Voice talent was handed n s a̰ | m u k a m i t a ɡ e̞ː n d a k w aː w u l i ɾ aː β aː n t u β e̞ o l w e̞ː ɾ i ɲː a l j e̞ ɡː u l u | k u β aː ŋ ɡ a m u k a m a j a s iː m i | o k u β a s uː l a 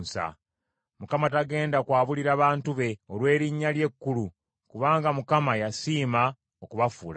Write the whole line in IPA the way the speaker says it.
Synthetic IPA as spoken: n s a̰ | m u k a m a t a ɡ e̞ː n d a k w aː β u l i ɾ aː β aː n t u β e̞ o l w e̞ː ɾ i ɲː a l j e̞ kː u l u | k u β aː ŋ ɡ a m u k a m a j a s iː m a | o k u β a f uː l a